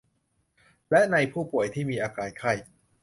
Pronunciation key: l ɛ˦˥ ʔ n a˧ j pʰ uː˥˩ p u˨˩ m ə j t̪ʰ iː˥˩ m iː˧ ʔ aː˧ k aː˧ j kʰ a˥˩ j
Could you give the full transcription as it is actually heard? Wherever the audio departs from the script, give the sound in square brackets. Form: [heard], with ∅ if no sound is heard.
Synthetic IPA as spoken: l ɛ˦˥ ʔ n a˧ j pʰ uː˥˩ p u˨˩ [∅] ə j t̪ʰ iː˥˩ m iː˧ ʔ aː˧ k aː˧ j kʰ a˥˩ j